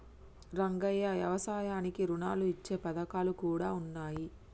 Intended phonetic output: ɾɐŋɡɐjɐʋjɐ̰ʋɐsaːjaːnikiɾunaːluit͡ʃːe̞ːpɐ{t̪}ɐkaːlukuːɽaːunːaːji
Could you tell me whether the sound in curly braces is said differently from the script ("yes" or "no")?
yes